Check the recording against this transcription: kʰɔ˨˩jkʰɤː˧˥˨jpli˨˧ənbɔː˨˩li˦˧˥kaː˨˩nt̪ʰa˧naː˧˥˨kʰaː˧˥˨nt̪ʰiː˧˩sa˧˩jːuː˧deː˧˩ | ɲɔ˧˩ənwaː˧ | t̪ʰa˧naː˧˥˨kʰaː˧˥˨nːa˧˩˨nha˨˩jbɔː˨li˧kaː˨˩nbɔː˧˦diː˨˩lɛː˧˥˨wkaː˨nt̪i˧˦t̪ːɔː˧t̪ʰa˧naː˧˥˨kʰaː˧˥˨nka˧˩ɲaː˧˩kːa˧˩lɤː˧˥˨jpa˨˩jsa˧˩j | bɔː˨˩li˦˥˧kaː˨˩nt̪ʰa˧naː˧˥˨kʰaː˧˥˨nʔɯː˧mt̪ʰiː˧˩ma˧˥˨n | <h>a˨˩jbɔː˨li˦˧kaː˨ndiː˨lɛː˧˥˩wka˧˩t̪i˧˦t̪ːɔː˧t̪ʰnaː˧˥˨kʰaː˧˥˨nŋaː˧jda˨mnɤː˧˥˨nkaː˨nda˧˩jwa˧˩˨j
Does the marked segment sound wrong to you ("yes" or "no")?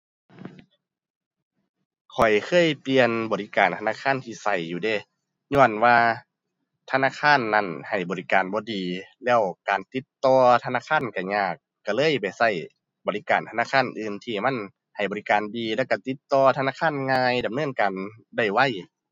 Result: no